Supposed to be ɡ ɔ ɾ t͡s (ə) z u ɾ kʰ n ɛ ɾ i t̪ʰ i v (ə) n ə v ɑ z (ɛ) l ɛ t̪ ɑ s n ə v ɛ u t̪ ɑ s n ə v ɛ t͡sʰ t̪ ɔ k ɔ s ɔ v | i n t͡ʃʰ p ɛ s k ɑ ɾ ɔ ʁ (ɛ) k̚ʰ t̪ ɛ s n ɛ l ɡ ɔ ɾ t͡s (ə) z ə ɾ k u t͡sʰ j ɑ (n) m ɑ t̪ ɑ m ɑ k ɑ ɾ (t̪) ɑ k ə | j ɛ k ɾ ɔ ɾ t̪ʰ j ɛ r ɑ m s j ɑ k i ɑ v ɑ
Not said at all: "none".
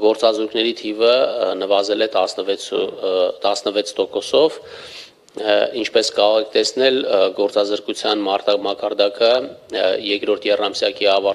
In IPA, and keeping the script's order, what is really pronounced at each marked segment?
ɑ, ə, ɛ, ɛ, ɑ, n, d̪

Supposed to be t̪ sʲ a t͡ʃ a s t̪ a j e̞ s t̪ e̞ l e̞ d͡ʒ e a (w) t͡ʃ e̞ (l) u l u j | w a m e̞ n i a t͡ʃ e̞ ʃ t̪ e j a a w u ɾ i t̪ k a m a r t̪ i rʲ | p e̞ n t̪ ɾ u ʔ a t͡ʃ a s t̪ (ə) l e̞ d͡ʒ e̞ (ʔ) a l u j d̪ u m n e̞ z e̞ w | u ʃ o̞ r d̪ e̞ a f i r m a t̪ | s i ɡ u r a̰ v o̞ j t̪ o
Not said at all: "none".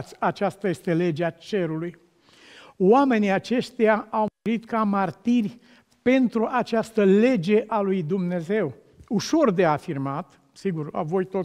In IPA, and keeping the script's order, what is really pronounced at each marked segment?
none, ɾ, ə, ʔ

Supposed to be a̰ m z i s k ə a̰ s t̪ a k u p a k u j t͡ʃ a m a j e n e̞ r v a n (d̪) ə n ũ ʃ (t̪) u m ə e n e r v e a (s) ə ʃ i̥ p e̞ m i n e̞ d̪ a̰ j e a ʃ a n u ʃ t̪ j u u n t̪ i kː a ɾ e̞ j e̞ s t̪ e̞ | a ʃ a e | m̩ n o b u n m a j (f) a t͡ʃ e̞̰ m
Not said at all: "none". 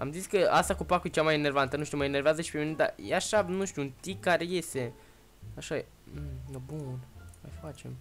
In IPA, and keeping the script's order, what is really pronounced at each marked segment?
t̪, t̪, z, f

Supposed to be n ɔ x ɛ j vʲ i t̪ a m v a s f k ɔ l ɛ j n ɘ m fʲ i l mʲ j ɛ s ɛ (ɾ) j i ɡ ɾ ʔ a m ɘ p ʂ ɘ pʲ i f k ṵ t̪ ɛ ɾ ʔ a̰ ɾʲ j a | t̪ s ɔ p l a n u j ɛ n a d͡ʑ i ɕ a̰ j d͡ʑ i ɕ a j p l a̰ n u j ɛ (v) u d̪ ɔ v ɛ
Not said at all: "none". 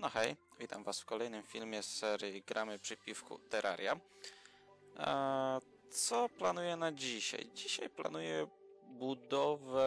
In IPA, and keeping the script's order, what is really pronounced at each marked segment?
ɾ, b

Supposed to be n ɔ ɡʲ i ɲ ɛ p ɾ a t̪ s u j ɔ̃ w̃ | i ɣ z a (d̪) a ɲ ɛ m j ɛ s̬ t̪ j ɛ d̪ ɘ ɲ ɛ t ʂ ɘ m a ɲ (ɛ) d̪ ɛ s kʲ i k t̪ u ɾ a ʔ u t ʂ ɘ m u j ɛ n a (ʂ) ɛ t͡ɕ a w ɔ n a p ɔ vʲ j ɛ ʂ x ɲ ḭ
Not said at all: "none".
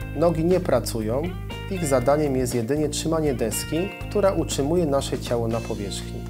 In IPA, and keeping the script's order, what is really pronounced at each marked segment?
d̪, ɛ, ʂ

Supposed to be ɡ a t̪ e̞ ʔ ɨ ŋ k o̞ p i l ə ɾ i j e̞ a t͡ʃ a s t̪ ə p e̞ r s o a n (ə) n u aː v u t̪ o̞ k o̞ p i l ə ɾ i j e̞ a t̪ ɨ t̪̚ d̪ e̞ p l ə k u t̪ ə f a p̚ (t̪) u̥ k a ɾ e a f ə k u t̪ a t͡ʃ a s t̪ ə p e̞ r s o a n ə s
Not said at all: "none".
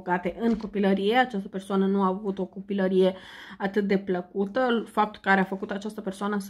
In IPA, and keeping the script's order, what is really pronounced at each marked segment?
ə, t̪

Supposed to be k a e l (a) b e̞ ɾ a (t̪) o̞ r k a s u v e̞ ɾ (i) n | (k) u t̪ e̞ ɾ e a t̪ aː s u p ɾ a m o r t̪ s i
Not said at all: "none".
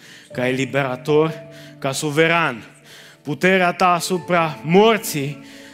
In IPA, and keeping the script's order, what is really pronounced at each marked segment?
i, t̪, a, p

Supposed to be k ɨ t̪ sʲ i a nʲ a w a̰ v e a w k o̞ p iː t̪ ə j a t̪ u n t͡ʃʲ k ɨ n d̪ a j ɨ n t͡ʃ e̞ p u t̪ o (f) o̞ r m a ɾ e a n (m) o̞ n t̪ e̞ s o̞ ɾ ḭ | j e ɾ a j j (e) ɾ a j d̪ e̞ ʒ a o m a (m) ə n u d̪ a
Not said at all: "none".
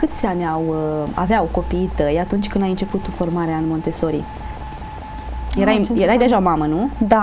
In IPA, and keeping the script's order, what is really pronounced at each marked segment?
f, m, e, m

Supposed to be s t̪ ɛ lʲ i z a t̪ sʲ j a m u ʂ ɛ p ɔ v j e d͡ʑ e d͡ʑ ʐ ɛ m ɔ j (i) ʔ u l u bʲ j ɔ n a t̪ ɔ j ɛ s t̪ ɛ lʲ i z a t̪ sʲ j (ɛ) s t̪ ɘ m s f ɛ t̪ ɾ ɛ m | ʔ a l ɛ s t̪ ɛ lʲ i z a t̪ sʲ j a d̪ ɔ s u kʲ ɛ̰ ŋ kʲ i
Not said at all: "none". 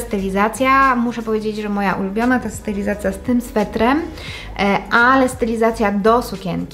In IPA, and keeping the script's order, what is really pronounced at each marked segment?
a, a

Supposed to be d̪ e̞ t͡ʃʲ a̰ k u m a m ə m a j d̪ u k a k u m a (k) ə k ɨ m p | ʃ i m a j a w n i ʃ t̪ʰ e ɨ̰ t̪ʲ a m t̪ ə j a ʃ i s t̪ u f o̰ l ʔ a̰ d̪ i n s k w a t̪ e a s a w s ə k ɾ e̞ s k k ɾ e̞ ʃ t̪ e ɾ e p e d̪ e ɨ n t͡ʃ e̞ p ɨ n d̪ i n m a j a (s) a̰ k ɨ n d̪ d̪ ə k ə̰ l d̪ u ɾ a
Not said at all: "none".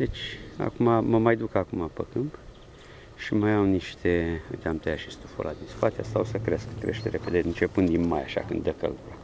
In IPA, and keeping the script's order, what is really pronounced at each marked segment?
p, ʃ

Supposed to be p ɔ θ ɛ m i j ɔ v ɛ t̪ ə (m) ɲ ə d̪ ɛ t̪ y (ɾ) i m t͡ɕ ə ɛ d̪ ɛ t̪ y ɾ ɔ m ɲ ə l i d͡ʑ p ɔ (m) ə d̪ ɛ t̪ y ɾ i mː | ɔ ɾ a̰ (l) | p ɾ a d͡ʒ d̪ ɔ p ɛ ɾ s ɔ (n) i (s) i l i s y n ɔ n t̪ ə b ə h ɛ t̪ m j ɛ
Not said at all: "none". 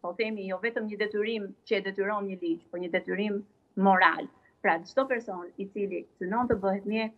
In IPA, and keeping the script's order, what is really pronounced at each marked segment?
m, ɾ, ɲ, l, n, t͡s

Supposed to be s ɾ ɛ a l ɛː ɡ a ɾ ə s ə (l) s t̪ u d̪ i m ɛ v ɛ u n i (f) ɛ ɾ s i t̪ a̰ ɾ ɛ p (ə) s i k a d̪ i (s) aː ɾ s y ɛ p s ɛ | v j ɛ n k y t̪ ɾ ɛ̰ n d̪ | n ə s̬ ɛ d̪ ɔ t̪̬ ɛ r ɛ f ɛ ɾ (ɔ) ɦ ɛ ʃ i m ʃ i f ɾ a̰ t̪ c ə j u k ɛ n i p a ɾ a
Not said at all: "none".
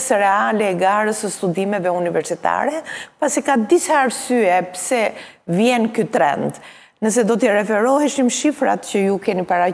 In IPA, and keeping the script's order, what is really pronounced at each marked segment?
none, v, a, s, ɔ

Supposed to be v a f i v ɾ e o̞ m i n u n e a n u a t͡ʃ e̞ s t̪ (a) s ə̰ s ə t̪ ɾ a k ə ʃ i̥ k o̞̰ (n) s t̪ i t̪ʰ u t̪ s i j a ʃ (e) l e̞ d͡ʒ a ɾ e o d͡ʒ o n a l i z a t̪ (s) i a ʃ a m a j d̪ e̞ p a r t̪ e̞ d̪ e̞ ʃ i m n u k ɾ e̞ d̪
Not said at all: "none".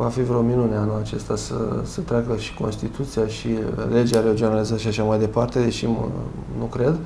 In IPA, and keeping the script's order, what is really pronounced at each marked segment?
a, n, i, ʃ

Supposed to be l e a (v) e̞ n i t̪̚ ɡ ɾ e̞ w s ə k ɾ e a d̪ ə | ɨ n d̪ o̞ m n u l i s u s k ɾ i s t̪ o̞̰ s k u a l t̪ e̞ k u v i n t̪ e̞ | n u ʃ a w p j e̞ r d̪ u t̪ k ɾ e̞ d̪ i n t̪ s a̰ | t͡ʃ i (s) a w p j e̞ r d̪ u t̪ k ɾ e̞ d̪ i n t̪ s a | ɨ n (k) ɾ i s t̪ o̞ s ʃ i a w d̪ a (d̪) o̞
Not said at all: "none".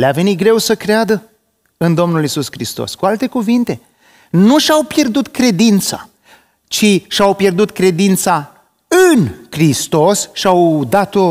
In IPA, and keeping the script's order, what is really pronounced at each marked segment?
v, ʃ, k, t̪

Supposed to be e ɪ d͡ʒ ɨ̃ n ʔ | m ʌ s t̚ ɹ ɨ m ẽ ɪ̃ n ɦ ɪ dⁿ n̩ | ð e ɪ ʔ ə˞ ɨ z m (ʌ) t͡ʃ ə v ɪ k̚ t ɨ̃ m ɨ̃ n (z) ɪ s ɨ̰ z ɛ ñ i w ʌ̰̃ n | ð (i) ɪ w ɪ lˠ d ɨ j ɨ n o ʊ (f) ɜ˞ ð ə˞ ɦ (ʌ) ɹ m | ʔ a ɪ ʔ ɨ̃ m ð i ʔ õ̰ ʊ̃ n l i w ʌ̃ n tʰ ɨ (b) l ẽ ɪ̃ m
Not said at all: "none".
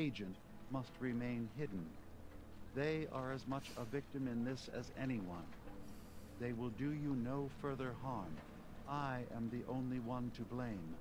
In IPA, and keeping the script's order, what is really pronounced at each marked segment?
ʌ, ð, e, f, ɑ, b

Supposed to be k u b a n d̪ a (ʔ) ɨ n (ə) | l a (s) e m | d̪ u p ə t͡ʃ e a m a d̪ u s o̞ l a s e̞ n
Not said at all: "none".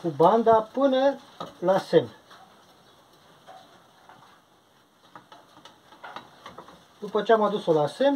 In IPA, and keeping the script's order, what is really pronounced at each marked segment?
p, ə, s

